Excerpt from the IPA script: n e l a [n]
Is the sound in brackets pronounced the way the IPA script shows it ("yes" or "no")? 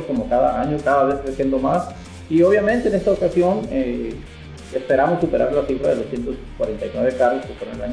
no